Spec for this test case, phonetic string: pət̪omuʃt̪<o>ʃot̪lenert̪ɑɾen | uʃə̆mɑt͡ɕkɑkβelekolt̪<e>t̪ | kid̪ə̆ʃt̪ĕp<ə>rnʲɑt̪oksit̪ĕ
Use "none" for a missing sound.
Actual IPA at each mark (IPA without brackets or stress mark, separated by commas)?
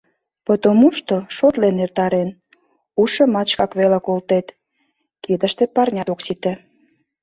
o, e, ɑ